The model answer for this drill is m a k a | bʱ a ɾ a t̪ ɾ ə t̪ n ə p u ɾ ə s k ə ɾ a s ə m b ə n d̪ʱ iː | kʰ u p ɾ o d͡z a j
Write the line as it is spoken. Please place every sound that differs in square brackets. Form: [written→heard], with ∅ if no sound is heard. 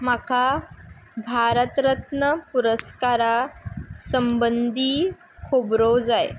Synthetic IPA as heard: m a k a | bʱ a ɾ [a→ə] t̪ ɾ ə t̪ n ə p u ɾ ə s k [ə→a] ɾ a s ə m b ə n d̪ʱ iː | kʰ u [p→b] ɾ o d͡z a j

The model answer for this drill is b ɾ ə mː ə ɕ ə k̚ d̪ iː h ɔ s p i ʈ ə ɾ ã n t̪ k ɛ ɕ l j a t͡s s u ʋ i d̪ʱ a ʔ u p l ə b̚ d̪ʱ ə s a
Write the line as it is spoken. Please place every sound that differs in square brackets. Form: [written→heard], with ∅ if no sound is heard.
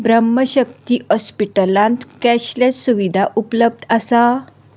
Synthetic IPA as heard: b ɾ ə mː ə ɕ ə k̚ [d̪→t̪] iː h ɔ s p i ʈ ə [ɾ→l] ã n t̪ k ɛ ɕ l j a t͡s s u ʋ i d̪ʱ a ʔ u p l ə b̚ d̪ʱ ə s a

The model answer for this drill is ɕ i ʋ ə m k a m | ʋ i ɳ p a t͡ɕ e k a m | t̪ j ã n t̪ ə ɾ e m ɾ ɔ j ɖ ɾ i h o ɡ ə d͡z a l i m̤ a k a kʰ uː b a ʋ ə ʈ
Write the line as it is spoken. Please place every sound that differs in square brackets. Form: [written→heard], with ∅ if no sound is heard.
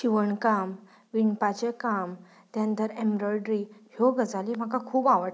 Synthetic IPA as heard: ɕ i ʋ ə [m→ɳ] k a m | ʋ i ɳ p a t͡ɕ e k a m | t̪ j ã n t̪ ə ɾ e m ɾ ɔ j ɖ ɾ i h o ɡ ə d͡z a l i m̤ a k a kʰ uː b a ʋ ə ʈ

